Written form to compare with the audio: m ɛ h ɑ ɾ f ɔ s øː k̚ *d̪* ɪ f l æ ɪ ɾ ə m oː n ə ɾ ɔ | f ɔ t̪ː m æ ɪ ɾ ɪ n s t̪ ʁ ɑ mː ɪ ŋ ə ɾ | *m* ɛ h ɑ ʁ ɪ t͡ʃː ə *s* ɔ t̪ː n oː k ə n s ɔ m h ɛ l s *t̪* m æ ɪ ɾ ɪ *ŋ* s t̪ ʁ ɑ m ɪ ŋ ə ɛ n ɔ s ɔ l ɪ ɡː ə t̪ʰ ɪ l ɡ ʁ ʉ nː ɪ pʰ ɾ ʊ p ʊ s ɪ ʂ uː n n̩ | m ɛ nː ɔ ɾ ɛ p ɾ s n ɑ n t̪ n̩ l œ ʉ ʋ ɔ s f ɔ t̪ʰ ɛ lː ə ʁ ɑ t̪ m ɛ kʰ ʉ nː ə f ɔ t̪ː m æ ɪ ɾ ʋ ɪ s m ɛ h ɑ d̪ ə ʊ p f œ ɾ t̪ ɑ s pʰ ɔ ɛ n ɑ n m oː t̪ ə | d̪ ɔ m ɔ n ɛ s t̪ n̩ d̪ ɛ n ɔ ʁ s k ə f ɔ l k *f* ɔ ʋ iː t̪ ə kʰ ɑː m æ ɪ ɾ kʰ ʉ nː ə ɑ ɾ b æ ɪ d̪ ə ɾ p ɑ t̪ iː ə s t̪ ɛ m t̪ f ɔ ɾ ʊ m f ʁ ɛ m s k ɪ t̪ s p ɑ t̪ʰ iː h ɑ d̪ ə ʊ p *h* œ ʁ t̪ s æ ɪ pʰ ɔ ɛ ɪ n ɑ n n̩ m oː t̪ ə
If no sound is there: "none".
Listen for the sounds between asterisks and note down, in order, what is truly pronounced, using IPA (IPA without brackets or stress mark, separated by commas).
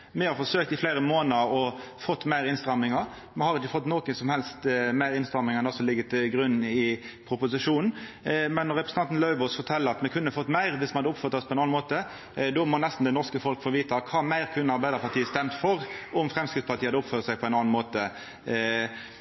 t̪, m, f, t̪, n, f, f